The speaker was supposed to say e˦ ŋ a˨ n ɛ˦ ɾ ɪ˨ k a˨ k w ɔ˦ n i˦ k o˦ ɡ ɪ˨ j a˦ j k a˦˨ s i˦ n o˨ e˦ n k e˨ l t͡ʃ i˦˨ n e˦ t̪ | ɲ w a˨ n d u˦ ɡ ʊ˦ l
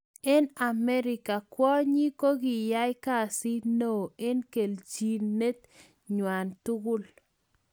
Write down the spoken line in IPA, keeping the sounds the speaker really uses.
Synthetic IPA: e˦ n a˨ m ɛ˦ ɾ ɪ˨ k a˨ k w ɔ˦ ɲ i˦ k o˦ ɡ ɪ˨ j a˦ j k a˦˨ s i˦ n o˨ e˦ n k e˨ l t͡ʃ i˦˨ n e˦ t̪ | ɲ w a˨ n t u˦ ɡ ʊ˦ l